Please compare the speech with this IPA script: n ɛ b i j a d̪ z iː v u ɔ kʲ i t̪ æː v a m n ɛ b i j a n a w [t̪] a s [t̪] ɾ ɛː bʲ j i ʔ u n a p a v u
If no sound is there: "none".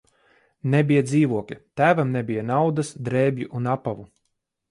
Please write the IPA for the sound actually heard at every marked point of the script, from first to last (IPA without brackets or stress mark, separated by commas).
d̪, d̪